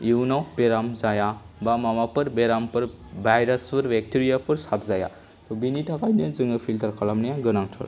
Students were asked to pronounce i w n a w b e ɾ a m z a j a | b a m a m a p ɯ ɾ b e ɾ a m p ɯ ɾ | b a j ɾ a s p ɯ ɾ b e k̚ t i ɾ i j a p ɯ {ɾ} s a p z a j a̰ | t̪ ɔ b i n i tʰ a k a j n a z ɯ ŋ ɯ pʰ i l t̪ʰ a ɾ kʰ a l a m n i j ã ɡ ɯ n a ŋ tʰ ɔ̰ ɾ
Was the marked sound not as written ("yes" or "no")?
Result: no